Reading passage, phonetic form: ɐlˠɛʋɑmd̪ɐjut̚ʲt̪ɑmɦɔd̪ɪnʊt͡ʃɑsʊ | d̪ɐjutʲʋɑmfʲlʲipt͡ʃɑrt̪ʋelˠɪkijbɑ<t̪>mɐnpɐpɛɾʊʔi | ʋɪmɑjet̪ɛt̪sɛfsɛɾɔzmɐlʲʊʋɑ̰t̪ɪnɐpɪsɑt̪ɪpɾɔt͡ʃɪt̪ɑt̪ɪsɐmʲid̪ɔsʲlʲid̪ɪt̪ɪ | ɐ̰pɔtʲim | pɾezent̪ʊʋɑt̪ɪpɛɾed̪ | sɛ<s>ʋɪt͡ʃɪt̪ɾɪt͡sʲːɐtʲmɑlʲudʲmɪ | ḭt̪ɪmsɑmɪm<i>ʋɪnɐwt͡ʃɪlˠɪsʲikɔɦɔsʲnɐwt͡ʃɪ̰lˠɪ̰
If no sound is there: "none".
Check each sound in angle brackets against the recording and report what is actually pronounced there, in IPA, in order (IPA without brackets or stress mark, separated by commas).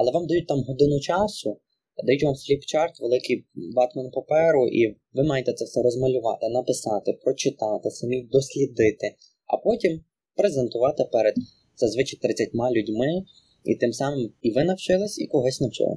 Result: t̪, z, i